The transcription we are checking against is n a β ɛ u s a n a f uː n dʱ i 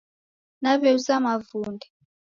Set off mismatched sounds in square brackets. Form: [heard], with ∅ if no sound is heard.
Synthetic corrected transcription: n a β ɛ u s a [m] a [v] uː n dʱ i